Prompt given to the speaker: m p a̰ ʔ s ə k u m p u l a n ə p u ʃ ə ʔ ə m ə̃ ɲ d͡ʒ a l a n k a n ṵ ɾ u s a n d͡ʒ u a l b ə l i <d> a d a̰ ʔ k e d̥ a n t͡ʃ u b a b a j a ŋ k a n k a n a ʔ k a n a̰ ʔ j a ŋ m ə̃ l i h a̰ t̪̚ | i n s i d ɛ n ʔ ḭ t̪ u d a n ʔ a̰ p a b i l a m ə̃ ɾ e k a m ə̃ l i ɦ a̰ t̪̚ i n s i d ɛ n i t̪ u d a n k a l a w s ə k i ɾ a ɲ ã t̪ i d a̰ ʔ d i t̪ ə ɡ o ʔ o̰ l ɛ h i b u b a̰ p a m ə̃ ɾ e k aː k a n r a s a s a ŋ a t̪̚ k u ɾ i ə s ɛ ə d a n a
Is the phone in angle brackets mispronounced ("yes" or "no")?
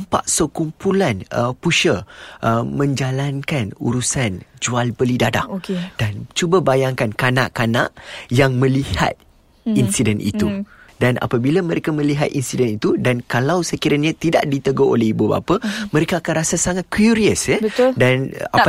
no